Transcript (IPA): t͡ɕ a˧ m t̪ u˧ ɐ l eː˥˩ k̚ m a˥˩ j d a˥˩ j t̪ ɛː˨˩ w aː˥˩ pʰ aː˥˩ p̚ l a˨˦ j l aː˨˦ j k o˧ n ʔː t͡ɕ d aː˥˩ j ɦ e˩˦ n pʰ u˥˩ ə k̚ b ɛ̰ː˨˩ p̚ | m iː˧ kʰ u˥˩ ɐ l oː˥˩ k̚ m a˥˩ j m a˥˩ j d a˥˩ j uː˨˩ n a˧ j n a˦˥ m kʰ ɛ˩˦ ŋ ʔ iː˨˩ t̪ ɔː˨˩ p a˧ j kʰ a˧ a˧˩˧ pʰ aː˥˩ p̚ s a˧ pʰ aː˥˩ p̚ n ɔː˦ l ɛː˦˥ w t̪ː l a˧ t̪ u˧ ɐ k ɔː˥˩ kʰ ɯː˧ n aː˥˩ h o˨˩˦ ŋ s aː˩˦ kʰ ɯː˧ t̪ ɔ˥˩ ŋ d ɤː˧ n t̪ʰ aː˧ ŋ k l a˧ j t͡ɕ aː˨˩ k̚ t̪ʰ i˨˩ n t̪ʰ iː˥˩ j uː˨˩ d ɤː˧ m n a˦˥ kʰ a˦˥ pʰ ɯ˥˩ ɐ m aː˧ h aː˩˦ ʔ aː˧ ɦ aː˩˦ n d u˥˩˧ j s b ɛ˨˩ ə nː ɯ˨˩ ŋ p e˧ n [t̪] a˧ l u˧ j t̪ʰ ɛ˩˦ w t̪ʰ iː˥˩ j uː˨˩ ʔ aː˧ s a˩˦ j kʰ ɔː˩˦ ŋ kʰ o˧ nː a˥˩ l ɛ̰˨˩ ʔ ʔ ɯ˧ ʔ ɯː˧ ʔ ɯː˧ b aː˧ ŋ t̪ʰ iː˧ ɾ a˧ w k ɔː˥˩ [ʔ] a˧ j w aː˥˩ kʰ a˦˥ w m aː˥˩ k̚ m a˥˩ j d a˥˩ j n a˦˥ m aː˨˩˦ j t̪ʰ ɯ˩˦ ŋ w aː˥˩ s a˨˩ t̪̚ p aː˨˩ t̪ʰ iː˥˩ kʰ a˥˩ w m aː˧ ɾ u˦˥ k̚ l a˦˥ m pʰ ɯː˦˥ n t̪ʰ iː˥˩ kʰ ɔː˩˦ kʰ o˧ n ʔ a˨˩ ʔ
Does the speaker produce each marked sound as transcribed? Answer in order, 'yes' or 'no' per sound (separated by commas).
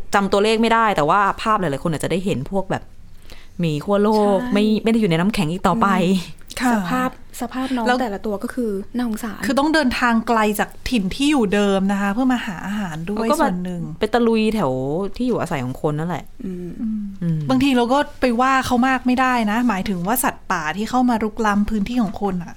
yes, no